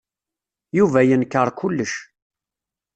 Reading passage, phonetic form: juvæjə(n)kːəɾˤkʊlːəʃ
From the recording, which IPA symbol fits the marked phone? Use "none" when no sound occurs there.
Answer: n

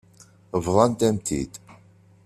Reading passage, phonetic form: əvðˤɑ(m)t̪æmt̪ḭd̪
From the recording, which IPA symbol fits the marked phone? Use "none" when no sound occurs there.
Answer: n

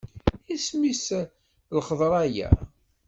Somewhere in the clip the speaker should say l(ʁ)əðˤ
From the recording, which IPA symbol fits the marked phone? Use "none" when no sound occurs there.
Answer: χ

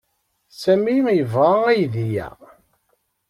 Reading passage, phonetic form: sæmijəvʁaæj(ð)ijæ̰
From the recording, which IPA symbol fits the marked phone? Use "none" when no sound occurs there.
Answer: ð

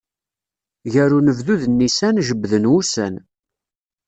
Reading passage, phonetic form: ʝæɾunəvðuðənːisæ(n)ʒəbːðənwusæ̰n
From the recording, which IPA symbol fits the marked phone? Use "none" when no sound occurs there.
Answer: n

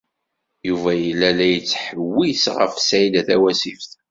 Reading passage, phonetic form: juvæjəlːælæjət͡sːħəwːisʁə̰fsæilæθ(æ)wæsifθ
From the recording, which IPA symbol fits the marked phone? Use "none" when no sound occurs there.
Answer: æ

